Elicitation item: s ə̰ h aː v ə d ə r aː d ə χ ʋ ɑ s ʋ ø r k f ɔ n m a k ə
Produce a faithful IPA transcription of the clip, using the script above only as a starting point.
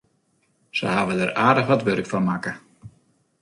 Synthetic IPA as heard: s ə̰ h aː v ə d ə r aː d ə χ ʋ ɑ t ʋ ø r k f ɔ n m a k ə